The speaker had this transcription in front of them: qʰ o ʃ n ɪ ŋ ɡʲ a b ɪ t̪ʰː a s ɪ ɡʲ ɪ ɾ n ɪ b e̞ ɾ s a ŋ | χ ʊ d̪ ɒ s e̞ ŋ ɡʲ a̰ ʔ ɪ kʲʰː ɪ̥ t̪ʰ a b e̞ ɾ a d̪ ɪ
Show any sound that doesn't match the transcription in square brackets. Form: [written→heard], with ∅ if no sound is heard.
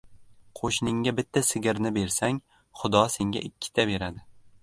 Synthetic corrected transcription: qʰ o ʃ n ɪ ŋ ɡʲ a b ɪ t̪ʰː a s ɪ ɡʲ ɪ ɾ n ɪ b e̞ ɾ s a ŋ | χ ʊ d̪ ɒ s e̞ ŋ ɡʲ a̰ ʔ ɪ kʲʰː ɪ̥ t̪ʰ a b e̞ ɾ a d̪ ɪ